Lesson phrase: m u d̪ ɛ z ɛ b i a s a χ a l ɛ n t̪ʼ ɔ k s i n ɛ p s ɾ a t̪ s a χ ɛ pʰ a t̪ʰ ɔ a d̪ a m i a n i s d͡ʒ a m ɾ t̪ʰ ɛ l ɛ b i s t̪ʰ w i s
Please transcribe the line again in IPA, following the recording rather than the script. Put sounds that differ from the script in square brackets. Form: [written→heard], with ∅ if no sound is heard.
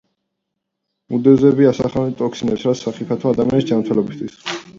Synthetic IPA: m u d̪ ɛ z ɛ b i a s a χ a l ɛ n t̪ʼ ɔ k s i n ɛ p s ɾ a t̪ s a χ [ɛ→i] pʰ a t̪ʰ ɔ a d̪ a m i a n i s d͡ʒ a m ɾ t̪ʰ ɛ l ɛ b i s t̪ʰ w i s